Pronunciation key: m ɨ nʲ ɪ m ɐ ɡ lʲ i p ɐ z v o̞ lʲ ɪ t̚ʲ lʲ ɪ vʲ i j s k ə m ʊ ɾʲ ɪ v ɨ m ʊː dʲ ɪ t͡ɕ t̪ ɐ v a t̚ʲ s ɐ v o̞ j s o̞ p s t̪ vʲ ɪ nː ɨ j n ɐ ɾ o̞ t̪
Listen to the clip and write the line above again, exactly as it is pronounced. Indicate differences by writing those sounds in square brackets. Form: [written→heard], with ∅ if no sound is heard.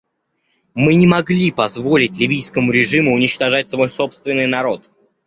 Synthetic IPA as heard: m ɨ nʲ ɪ m ɐ ɡ lʲ i p ɐ z v o̞ lʲ ɪ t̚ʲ lʲ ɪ vʲ i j s k ə m ʊ ɾʲ ɪ [v→ʐ] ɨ m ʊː [dʲ→nʲ] ɪ t͡ɕ t̪ ɐ [v→ʐ] a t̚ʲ s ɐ v o̞ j s o̞ p s t̪ vʲ ɪ nː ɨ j n ɐ ɾ o̞ t̪